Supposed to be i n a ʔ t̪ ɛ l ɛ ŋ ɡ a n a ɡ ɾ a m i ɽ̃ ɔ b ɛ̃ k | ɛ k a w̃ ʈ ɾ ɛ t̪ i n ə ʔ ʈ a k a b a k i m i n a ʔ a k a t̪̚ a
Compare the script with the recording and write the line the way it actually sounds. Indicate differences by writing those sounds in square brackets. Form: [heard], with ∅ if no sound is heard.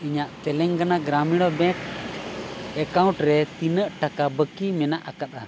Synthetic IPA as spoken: i [ɲ] a ʔ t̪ ɛ l ɛ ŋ ɡ a n a ɡ ɾ a m i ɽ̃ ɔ b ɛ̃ k | ɛ k a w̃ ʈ ɾ ɛ t̪ i n ə ʔ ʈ a k a b [ə] k i m [ɛ] n a ʔ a k a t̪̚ a